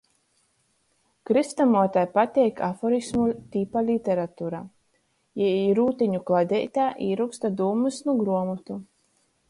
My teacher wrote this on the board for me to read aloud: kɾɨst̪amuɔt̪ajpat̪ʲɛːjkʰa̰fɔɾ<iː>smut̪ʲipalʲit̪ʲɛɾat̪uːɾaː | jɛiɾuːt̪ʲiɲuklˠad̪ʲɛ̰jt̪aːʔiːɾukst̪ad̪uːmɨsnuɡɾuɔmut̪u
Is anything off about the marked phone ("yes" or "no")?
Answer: yes